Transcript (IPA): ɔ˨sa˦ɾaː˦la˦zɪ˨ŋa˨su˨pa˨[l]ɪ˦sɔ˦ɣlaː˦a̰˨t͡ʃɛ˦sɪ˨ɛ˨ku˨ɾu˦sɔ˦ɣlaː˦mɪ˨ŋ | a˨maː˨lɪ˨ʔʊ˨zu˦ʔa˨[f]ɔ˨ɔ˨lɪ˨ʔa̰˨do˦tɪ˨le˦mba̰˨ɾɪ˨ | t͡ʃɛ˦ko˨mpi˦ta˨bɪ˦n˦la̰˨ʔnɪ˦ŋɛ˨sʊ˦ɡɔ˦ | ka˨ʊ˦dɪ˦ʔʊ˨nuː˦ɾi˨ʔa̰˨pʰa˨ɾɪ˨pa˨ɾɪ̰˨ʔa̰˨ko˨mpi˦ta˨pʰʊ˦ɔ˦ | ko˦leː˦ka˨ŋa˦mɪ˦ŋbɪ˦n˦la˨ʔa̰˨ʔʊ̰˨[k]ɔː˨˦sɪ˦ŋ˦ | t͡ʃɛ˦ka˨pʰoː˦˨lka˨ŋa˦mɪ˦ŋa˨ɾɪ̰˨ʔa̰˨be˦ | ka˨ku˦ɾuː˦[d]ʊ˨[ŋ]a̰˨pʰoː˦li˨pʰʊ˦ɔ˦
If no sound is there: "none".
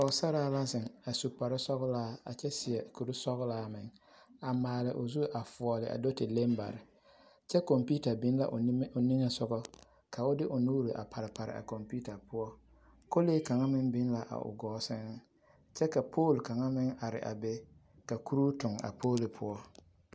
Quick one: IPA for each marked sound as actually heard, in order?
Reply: ɾ, f, ɡ, t, ŋ

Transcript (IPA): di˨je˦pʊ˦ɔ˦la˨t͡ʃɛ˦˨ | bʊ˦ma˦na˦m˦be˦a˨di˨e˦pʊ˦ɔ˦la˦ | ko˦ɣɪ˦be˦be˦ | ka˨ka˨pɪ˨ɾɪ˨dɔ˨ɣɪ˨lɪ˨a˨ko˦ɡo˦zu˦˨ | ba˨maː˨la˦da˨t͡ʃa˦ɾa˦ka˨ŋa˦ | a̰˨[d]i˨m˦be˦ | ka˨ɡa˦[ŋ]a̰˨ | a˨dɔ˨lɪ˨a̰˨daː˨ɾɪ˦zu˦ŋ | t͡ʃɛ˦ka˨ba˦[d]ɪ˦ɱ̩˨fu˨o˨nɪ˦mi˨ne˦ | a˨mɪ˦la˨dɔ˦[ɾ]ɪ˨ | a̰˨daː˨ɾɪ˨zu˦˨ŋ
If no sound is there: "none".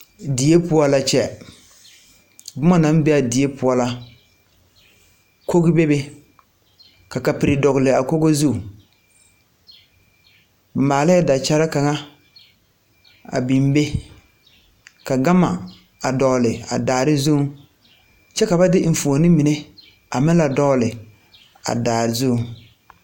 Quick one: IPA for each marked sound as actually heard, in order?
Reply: b, m, d, l

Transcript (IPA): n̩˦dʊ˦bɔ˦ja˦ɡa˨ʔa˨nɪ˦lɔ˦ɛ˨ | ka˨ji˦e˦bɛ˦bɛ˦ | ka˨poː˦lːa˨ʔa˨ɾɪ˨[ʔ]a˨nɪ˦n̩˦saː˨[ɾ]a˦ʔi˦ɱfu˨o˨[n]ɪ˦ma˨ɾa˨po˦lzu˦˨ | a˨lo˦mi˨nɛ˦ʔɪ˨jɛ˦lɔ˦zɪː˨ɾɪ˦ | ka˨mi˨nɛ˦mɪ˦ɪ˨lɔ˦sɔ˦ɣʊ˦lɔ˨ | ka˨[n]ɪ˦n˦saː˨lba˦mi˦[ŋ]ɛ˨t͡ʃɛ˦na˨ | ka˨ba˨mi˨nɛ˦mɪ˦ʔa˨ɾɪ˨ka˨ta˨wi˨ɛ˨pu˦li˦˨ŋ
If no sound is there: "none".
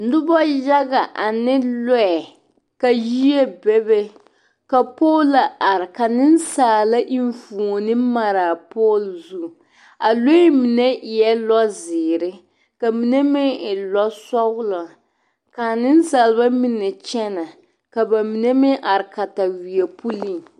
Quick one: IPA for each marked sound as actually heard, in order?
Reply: k, l, n, n, n

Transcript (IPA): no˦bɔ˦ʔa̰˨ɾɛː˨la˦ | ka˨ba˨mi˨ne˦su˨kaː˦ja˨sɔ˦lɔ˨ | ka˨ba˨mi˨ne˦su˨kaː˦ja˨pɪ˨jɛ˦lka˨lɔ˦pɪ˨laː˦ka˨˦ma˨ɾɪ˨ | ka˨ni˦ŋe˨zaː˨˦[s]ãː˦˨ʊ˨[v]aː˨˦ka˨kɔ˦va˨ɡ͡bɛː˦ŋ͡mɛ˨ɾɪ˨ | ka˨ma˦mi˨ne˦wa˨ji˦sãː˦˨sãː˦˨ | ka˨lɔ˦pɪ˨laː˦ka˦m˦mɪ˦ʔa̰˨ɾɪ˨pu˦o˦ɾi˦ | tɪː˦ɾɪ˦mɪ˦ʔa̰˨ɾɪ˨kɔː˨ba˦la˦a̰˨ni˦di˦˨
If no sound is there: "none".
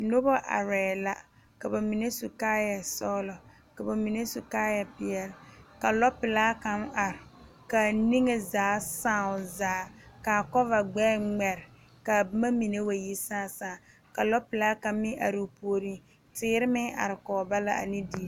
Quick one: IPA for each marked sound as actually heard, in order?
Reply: s, z

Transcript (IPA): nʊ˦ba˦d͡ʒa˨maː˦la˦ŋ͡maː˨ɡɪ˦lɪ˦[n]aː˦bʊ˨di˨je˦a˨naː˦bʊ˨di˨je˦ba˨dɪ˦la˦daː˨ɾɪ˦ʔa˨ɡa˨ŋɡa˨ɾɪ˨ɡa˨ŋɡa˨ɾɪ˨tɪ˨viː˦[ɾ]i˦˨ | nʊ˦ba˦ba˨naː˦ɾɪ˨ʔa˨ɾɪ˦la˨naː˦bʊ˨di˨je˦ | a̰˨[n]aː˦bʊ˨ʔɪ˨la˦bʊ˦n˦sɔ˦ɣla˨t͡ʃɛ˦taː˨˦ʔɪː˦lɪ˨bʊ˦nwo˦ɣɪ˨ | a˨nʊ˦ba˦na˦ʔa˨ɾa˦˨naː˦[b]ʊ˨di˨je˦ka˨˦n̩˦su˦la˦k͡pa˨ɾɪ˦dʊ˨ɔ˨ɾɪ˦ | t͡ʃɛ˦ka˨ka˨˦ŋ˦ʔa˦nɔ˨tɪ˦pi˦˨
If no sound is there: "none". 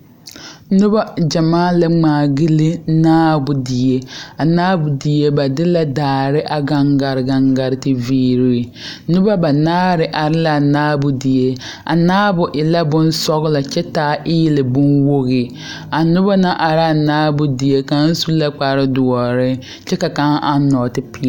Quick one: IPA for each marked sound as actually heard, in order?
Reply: n, ɾ, n, b

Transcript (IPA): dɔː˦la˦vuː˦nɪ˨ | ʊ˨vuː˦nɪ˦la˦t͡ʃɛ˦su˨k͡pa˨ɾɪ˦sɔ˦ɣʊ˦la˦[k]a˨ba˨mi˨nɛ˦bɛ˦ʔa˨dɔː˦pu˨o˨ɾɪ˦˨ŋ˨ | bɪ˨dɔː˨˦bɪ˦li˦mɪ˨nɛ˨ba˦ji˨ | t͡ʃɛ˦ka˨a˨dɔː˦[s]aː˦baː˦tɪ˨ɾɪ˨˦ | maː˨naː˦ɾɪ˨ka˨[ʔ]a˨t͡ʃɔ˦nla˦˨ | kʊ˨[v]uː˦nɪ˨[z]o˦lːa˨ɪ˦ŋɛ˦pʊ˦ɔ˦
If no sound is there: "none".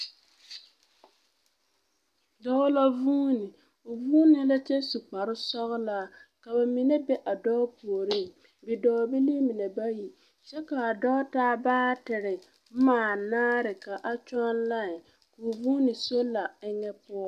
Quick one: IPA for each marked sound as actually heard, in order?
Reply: k, t, ʔ, v, s

